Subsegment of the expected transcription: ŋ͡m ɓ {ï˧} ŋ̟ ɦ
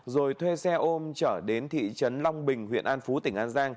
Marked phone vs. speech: incorrect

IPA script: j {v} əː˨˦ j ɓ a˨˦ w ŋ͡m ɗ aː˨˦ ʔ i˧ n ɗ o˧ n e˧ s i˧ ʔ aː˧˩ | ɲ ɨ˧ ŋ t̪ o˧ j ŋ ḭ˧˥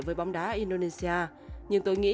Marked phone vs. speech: correct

